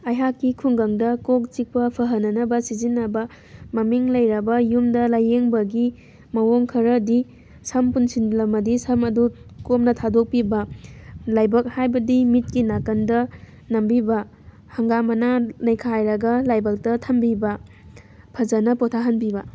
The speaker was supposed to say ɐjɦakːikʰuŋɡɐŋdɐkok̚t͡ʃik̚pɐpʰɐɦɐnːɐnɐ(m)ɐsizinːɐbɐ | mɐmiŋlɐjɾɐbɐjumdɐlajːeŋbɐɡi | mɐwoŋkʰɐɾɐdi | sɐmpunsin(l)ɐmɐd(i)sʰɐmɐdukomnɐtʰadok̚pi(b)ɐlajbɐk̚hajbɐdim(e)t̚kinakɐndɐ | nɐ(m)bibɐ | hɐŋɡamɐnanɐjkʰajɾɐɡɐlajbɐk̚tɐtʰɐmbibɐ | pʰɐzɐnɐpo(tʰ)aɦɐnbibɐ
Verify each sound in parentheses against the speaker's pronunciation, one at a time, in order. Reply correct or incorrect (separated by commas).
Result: incorrect, correct, correct, correct, incorrect, correct, correct